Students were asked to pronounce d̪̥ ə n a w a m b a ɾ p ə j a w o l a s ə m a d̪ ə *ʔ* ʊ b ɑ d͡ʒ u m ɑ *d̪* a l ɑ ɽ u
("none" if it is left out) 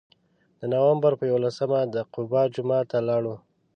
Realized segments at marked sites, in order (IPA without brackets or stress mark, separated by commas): q, t̪